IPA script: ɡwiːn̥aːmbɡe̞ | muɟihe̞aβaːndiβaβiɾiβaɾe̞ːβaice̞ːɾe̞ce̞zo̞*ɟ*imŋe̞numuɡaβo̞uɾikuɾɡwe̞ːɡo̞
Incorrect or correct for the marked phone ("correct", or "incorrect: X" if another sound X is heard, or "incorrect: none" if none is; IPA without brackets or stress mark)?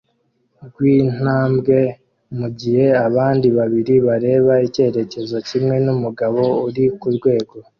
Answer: incorrect: c